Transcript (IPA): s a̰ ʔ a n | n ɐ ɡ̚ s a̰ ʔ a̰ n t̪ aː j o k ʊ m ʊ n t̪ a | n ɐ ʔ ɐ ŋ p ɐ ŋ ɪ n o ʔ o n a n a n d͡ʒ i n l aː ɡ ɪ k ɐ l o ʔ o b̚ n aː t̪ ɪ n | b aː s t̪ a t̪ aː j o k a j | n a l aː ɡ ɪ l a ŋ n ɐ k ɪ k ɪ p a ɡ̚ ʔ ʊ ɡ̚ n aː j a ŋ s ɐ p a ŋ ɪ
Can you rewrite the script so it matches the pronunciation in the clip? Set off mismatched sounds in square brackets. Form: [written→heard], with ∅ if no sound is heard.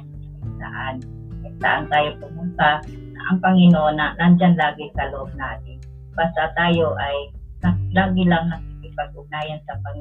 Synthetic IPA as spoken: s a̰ ʔ a n | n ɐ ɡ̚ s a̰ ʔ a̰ n t̪ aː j o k ʊ m ʊ n t̪ a | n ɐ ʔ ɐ ŋ p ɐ ŋ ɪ n o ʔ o n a n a n d͡ʒ [i→a] n l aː ɡ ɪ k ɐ l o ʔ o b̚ n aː t̪ ɪ n | b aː s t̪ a t̪ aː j o [k→ʔ] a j | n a l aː ɡ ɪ l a ŋ n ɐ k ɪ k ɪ p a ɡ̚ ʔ ʊ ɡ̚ n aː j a [ŋ→n] s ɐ p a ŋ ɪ